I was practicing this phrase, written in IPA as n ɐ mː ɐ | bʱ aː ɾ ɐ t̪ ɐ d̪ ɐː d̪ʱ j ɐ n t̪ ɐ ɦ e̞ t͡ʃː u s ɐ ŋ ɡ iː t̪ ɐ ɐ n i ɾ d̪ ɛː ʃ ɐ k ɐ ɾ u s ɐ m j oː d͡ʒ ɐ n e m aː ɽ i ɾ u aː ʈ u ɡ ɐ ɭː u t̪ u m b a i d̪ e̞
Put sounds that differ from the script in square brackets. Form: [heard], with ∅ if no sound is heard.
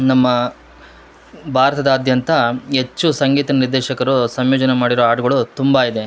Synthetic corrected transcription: n ɐ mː ɐ | bʱ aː ɾ ɐ t̪ ɐ d̪ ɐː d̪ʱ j ɐ n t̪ ɐ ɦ e̞ t͡ʃː u s ɐ ŋ ɡ iː t̪ ɐ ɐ n i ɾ d̪ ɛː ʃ ɐ k ɐ ɾ u s ɐ m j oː d͡ʒ ɐ n e m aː ɽ i ɾ [o] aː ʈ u ɡ ɐ [ɭ] u t̪ u m b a i d̪ e̞